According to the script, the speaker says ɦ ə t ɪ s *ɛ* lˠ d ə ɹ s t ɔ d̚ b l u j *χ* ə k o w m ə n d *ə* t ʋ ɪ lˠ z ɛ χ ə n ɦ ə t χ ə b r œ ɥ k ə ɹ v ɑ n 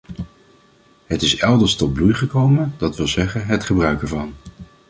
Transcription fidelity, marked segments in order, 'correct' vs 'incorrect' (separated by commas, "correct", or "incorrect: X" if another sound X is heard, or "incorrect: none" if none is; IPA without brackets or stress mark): correct, correct, incorrect: ɑ